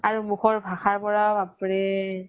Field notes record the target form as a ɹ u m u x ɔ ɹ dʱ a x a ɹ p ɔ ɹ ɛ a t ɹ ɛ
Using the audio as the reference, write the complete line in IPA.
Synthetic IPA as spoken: a ɹ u m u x ɔ ɹ bʱ a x a ɹ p ɔ ɹ a a p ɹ ɛ

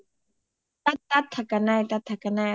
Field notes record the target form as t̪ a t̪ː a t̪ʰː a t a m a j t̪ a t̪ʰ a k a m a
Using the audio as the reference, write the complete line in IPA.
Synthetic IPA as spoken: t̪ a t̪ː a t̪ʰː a k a n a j t̪ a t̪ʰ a k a n a

